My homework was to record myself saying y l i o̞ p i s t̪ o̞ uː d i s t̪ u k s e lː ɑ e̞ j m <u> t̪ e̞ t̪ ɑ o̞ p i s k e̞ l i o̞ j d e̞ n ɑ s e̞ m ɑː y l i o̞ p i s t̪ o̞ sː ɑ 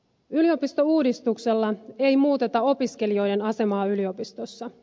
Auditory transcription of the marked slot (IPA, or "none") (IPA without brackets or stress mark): uː